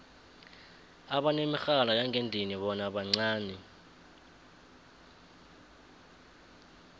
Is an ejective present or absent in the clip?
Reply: absent